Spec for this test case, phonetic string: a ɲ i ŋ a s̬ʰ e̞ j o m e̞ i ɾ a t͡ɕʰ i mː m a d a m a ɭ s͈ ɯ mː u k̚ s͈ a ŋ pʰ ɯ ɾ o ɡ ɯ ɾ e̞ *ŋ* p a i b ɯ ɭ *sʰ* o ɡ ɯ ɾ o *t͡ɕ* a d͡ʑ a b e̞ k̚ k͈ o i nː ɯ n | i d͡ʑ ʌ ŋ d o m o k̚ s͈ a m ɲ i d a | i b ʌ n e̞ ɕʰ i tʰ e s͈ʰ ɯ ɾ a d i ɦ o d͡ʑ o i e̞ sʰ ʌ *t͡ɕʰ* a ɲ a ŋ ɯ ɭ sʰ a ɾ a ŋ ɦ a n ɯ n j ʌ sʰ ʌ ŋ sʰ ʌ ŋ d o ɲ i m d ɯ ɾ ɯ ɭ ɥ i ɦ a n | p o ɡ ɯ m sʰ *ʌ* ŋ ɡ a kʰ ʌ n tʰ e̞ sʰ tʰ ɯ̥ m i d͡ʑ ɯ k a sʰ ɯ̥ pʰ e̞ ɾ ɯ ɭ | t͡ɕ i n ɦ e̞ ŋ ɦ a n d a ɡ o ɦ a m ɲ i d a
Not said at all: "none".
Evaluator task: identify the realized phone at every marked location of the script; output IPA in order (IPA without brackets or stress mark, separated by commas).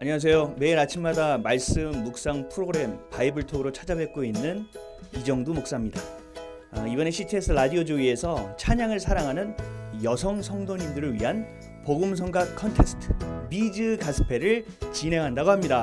m, tʰ, t͡ɕʰ, t͡ɕʰ, ʌ